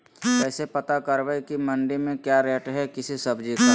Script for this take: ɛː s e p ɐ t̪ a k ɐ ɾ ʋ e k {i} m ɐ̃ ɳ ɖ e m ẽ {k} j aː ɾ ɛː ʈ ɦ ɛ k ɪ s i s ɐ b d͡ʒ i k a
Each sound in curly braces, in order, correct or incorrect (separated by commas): correct, correct